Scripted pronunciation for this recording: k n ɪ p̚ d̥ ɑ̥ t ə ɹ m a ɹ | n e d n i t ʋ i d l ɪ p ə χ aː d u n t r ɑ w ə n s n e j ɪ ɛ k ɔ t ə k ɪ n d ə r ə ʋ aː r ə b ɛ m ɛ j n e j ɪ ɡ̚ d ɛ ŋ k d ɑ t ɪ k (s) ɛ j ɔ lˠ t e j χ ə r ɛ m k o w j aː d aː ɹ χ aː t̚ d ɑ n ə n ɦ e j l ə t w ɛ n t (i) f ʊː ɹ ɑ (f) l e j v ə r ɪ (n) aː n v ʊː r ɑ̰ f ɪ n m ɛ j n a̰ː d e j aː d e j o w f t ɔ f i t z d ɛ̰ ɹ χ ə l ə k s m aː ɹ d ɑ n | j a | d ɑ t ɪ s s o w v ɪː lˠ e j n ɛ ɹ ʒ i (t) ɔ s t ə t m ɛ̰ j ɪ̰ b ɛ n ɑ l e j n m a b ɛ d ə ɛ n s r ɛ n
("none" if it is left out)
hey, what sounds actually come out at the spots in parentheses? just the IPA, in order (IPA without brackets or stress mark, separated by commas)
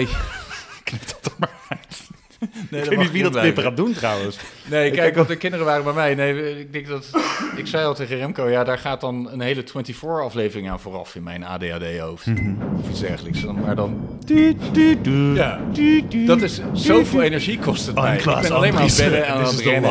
s, i, f, ŋ, k